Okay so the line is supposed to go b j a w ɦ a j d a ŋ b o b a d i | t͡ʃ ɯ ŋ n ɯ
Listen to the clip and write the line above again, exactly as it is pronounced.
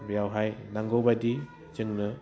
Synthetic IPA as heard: b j a w ɦ a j n a ŋ ɡ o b a d i | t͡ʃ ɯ ŋ n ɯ